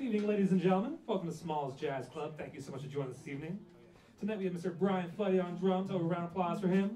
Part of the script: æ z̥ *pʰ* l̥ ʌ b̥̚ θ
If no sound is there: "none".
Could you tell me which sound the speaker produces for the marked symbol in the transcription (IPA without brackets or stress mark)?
kʰ